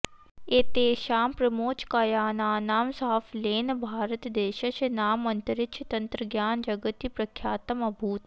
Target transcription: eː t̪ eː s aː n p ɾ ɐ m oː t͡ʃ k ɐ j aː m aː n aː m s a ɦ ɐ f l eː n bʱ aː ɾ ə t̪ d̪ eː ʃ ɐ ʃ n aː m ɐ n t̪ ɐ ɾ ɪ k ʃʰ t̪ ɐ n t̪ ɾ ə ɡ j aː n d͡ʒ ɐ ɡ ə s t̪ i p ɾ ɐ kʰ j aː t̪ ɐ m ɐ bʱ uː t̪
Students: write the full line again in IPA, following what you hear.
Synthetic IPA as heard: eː t̪ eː ʃ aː m p ɾ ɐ m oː t͡ʃ k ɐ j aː n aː n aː m s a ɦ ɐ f l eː n bʱ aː ɾ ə t̪ d̪ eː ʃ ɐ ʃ n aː m ɐ n t̪ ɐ ɾ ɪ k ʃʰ t̪ ɐ n t̪ ɾ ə ɡ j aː n d͡ʒ ɐ ɡ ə t̪ i p ɾ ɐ kʰ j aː t̪ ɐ m ɐ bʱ uː t̪